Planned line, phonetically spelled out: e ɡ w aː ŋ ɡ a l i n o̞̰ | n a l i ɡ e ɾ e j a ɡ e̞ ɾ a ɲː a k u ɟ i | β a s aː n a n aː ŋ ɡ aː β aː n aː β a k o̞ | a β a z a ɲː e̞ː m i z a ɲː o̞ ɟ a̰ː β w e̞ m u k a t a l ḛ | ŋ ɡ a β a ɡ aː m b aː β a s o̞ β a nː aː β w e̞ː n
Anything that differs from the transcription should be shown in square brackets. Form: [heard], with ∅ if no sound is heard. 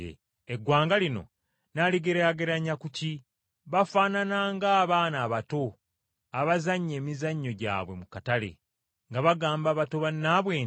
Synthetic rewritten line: e ɡ w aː ŋ ɡ a l i n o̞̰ | n a l i ɡ e ɾ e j a ɡ e̞ ɾ a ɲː a k u [c] i | β a [f] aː n a n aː ŋ ɡ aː β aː n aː β a [t] o̞ | a β a z a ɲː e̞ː m i z a ɲː o̞ ɟ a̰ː β w e̞ m u k a t a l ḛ | ŋ ɡ a β a ɡ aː m b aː β a [t] o̞ β a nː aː β w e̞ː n